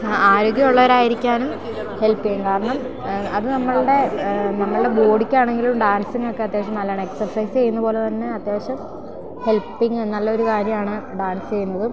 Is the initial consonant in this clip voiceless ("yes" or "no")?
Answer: no